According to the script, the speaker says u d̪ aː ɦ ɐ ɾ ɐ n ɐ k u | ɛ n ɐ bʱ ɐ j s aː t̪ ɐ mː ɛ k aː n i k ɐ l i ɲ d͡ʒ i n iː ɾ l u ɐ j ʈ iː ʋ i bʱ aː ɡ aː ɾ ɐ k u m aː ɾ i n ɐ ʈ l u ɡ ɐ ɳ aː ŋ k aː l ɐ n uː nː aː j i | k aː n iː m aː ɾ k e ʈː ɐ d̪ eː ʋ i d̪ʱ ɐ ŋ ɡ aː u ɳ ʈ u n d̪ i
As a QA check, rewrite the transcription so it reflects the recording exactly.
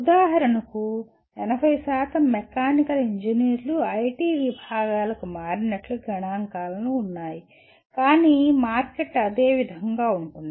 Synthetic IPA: u d̪ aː ɦ ɐ ɾ ɐ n ɐ k u | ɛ n ɐ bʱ ɐ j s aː t̪ ɐ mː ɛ k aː n i k ɐ l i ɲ d͡ʒ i n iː ɾ l u ɐ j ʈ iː ʋ i bʱ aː ɡ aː l ɐ k u m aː ɾ i n ɐ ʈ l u ɡ ɐ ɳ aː ŋ k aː l ɐ n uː nː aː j i | k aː n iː m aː ɾ k e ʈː ɐ d̪ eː ʋ i d̪ʱ ɐ ŋ ɡ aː u ɳ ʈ u n d̪ i